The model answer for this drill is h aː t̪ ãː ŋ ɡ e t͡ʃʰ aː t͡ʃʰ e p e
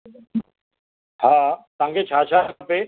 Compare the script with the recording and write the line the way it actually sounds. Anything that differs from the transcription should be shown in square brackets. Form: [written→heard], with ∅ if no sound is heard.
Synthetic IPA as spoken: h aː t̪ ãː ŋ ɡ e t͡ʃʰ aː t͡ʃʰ [e→a] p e